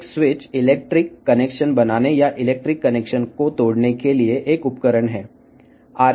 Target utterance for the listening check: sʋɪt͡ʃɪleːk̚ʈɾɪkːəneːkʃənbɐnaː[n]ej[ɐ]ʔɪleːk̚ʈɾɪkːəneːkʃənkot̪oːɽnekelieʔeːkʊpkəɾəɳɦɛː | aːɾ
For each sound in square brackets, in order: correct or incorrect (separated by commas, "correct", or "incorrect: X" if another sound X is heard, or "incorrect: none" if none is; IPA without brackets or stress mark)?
correct, incorrect: a